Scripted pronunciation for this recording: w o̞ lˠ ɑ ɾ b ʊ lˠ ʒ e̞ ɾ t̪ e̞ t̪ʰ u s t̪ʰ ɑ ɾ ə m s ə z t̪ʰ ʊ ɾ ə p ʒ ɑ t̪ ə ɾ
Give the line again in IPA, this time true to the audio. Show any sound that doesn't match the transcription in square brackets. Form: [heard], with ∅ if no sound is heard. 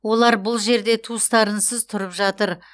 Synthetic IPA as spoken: w o̞ lˠ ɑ ɾ b ʊ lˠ ʒ e̞ ɾ [d̪] e̞ t̪ʰ u s [t̪] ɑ ɾ ə [n] s ə z t̪ʰ ʊ ɾ ə p ʒ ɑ t̪ ə ɾ

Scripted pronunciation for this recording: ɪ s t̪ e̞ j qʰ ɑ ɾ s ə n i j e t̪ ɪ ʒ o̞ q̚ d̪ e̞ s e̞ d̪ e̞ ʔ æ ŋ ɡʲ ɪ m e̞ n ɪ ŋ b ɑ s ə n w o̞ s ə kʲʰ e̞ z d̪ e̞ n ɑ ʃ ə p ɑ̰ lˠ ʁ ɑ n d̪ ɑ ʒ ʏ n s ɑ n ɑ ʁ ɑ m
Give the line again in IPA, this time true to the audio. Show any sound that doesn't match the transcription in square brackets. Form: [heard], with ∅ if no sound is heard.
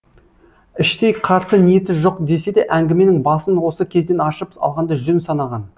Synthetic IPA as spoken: ɪ [ʃ] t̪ e̞ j qʰ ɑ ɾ s ə n i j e t̪ ɪ ʒ o̞ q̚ d̪ e̞ s e̞ d̪ e̞ ʔ æ ŋ ɡʲ ɪ m e̞ n ɪ ŋ b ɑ s ə n w o̞ s ə kʲʰ e̞ z d̪ e̞ n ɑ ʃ ə p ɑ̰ lˠ ʁ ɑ n d̪ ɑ ʒ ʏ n s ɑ n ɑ ʁ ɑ [n]

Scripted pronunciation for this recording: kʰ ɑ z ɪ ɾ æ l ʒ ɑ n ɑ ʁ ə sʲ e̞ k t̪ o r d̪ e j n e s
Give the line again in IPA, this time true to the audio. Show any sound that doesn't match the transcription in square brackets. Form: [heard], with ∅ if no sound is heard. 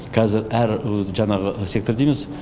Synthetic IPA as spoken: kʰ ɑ z ɪ ɾ æ [ɾ] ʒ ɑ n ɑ ʁ ə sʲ e̞ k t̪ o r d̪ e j [m] e s

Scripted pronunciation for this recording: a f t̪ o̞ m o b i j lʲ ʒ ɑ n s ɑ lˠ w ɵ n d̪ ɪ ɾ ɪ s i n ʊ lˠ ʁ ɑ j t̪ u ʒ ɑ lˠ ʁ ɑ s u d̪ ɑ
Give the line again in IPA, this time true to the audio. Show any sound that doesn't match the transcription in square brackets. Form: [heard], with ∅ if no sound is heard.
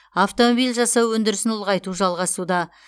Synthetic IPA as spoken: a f t̪ o̞ m o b i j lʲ ʒ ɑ [∅] s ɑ [∅] w ɵ n d̪ ɪ ɾ ɪ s [ɪ] n ʊ lˠ ʁ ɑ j t̪ u ʒ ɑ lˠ ʁ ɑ s u d̪ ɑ

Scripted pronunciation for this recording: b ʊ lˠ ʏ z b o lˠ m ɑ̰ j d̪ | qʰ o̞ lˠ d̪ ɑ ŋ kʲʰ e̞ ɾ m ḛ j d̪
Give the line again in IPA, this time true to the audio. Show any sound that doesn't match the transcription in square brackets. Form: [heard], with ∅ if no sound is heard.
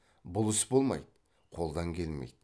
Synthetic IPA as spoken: b ʊ lˠ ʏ [s] b o lˠ m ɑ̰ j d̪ | qʰ o̞ lˠ d̪ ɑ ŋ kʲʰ e̞ [l] m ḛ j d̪

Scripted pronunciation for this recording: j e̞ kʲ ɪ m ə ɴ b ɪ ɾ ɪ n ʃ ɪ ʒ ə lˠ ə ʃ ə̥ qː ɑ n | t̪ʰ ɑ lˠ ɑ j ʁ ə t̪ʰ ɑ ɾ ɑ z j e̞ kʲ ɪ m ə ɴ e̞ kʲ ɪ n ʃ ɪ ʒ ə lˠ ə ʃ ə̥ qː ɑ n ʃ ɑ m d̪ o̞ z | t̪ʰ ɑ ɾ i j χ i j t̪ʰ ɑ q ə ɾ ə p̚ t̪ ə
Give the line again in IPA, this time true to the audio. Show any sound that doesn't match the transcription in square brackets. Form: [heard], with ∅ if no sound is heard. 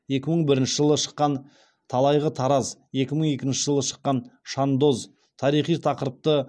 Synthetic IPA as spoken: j e̞ kʲ ɪ m ə ɴ b ɪ ɾ ɪ n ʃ ɪ ʒ ə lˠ ə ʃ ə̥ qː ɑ n | t̪ʰ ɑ lˠ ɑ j ʁ ə t̪ʰ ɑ ɾ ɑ z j e̞ kʲ ɪ m ə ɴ e̞ kʲ ɪ n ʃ ɪ ʒ ə lˠ ə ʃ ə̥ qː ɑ n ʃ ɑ [n] d̪ o̞ z | t̪ʰ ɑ ɾ i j χ i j t̪ʰ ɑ q ə ɾ ə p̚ t̪ ə

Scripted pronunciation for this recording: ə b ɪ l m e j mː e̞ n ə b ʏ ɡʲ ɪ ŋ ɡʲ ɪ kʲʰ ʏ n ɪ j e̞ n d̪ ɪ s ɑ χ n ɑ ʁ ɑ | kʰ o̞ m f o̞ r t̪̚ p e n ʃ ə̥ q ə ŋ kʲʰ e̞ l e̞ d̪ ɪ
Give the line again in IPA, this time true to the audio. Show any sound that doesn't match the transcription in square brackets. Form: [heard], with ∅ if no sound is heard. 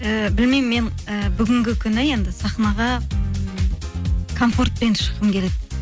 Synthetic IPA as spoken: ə b ɪ l m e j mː e̞ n ə b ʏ ɡʲ ɪ ŋ ɡʲ ɪ kʲʰ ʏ n ɪ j e̞ n d̪ ɪ s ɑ χ n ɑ ʁ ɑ | kʰ o̞ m f o̞ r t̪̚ p e n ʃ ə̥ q ə [m] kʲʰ e̞ l e̞ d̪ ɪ

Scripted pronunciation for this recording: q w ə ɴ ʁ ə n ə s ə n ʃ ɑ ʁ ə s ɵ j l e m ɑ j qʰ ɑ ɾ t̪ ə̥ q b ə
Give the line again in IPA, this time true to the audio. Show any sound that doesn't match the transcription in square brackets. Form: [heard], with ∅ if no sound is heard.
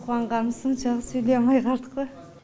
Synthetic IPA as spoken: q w [ɑ] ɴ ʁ [ɑ] n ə s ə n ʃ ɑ ʁ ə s ɵ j l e m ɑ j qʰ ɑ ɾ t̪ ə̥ q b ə

